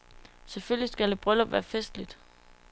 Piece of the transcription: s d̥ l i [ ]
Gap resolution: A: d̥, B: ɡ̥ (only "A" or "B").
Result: A